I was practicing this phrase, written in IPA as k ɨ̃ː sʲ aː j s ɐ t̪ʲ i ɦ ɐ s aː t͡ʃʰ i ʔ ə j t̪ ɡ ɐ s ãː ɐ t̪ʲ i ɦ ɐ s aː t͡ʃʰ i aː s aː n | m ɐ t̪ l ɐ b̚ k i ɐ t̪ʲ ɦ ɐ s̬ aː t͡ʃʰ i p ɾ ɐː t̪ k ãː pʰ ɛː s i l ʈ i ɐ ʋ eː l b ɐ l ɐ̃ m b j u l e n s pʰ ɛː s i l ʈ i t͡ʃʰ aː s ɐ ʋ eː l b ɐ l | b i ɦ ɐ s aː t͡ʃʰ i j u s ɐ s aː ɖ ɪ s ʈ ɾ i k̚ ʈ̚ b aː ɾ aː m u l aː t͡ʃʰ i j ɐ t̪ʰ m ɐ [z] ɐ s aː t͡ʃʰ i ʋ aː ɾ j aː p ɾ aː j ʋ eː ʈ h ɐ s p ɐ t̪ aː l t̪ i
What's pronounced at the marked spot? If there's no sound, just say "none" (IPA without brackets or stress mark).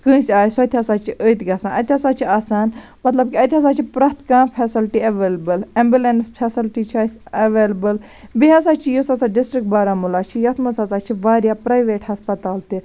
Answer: s